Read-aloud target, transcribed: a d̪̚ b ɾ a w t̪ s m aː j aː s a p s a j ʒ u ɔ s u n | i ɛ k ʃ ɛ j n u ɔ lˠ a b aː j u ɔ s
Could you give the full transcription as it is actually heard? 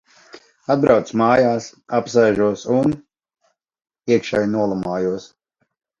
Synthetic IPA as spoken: a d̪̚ b ɾ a w t̪ s m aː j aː s a p s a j ʒ u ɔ s u n | i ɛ k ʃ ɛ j n u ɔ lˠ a m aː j u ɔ s